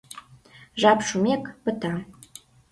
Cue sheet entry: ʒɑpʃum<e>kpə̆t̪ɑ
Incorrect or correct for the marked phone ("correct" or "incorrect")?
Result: correct